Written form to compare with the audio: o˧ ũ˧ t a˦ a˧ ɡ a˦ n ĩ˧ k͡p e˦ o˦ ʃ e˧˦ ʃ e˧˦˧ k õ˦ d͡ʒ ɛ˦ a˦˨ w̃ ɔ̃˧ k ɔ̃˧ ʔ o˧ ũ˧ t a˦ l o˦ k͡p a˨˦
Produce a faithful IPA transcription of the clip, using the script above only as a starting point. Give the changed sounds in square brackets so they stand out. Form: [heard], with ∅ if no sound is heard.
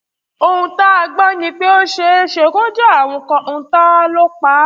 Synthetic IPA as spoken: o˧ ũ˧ t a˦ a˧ [ɡ͡b] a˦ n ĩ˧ k͡p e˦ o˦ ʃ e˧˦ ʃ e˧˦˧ k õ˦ d͡ʒ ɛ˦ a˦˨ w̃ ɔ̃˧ k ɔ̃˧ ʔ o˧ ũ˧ t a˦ l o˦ k͡p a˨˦